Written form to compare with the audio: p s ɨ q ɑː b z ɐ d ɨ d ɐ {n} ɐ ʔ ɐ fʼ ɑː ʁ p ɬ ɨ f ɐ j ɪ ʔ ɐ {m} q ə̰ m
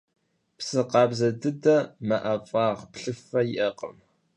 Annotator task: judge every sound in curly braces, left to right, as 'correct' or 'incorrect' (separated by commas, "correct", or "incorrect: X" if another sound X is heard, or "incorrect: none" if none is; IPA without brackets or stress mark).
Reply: incorrect: m, incorrect: none